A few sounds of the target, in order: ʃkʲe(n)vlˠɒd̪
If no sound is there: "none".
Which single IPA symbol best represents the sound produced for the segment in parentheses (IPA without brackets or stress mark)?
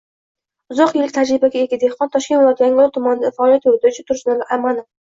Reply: n